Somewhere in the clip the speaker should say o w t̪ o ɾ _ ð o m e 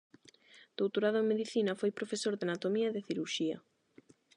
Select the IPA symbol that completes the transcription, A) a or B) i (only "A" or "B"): A